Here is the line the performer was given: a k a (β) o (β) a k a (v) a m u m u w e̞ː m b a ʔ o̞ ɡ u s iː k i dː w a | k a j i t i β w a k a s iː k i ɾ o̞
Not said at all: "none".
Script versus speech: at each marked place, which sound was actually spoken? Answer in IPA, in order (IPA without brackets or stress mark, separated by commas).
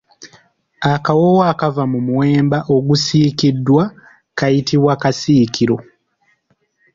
w, w, v